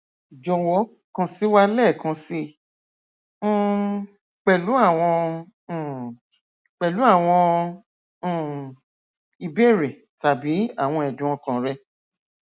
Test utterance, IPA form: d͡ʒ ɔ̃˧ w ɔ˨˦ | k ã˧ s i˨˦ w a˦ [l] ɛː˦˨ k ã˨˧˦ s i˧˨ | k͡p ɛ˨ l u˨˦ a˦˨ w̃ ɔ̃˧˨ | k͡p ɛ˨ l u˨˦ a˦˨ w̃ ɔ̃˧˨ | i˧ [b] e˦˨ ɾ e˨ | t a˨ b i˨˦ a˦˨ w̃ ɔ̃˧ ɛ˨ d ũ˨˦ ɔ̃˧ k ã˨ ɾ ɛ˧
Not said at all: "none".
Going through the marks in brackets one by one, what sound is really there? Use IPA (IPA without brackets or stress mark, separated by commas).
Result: l, b